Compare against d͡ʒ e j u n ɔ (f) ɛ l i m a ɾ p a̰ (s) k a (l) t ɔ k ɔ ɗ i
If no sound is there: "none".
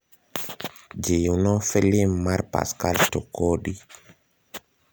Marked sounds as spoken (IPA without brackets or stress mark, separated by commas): f, s, l